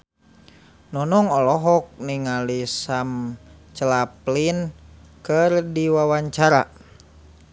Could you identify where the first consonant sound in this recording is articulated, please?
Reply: alveolar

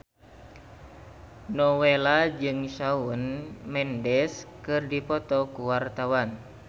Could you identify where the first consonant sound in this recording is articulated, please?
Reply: alveolar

